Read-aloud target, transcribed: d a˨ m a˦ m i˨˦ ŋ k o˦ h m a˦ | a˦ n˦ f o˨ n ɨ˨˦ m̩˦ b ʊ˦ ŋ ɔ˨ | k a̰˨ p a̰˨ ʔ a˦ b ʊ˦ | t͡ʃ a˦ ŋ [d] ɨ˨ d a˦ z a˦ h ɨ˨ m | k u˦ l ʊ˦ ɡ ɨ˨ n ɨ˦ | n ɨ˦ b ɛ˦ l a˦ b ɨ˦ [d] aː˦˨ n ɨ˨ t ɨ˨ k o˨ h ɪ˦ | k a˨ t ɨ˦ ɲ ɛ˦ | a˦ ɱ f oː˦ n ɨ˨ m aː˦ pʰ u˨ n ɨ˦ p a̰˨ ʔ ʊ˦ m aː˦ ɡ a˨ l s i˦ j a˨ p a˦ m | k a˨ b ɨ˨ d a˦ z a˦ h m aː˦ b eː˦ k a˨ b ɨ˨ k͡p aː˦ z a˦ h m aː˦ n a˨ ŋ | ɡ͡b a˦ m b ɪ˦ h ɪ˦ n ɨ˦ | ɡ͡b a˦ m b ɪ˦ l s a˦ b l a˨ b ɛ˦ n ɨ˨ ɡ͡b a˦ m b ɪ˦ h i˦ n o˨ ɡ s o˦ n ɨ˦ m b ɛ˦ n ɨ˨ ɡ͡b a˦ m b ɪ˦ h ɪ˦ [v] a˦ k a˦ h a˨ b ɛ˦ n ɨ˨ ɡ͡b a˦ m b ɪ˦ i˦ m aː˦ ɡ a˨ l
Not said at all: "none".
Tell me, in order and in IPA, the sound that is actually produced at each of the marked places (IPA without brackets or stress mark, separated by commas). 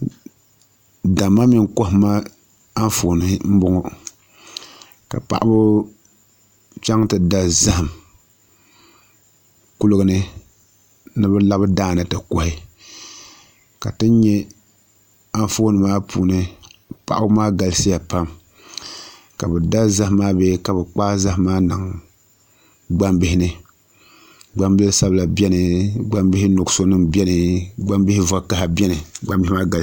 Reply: t, d, v